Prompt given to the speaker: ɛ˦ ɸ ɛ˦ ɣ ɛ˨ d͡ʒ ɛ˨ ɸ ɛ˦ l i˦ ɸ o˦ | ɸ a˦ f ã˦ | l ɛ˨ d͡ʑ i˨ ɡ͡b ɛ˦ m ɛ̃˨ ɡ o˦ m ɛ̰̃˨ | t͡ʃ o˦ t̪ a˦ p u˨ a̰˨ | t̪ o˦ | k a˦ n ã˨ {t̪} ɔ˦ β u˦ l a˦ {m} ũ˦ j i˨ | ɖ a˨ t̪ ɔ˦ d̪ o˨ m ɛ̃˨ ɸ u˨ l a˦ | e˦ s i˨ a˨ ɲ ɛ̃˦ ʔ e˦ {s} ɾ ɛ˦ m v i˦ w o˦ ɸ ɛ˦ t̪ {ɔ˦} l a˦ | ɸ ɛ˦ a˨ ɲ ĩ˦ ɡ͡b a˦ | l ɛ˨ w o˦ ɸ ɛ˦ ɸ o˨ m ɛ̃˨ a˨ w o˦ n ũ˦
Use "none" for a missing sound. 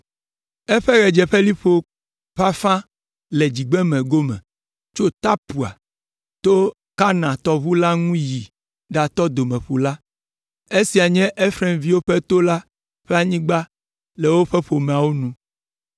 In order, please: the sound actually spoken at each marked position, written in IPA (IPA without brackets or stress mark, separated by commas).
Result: t̪, ŋ, f, o˦